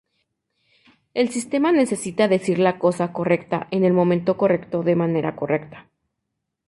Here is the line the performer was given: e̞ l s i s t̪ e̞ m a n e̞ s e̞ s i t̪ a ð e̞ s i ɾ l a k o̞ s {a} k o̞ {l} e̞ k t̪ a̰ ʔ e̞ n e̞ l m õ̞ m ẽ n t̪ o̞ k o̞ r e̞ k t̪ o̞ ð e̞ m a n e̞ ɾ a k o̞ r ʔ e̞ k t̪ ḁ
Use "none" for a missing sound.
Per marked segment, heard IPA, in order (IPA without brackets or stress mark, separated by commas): a, r